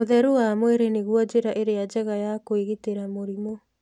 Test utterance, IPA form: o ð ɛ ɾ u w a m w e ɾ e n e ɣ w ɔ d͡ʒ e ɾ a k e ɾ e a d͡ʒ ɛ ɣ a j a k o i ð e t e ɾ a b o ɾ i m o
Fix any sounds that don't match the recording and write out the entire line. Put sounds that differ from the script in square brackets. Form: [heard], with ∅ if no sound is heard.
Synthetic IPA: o ð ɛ ɾ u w a m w e ɾ e n e ɣ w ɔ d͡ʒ e ɾ a [ʔ] e ɾ e a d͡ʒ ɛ ɣ a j a k o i [ɣ] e t e ɾ a [m] o ɾ i m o